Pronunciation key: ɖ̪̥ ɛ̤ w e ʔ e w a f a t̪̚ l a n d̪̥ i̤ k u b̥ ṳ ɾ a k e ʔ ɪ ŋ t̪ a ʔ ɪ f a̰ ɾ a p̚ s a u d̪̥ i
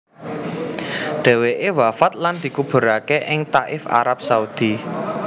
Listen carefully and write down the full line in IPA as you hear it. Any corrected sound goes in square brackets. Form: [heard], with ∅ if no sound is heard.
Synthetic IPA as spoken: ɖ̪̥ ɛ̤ w e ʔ e w a f a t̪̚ l a n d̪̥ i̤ k u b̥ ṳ ɾ a k e ʔ ɪ ŋ t̪ a ʔ ɪ f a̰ ɾ a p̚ s a u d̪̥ i